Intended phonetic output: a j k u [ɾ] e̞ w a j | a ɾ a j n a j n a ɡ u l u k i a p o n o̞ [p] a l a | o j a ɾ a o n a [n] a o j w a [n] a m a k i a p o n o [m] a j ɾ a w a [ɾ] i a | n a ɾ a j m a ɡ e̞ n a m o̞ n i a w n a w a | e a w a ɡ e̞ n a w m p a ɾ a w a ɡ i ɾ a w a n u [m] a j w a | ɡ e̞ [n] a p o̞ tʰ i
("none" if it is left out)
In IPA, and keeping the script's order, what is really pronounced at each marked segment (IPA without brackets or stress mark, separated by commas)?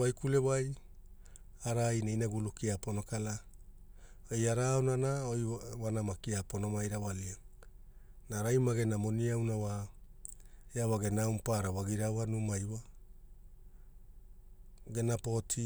l, k, n, n, m, l, m, n